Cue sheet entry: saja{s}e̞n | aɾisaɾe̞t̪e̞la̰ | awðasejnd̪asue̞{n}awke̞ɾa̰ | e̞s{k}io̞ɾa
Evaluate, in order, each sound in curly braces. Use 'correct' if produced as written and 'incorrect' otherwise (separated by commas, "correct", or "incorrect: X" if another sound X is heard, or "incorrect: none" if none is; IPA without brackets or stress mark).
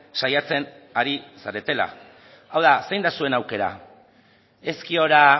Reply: incorrect: t͡s, correct, correct